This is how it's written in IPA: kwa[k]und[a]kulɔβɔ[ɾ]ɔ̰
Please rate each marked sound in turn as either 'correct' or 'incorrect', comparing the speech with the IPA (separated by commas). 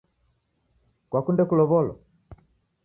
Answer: correct, incorrect, incorrect